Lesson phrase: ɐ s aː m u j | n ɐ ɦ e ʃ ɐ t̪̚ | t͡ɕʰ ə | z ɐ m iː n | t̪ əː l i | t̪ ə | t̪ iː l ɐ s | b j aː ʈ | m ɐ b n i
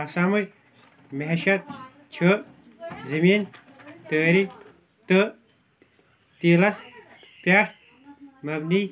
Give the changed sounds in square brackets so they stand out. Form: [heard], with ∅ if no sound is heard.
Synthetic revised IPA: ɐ s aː m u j | [m] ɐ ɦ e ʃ ɐ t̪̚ | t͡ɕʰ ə | z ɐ m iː n | t̪ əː [ɾ] i | t̪ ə | t̪ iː l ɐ s | [p] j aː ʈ | m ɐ b n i